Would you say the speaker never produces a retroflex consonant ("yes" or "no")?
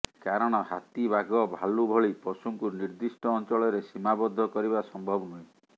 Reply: no